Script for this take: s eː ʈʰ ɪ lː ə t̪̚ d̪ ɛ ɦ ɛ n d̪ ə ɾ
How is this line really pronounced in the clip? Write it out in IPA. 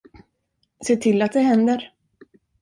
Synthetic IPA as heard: s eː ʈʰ ɪ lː a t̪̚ d̪ ɛ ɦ ɛ n d̪ ə ɾ